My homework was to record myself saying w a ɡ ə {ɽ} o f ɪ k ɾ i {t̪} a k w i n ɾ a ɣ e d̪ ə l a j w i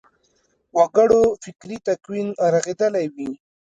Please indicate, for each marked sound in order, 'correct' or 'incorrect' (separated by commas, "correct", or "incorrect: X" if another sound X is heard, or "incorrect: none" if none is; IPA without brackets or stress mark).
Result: correct, correct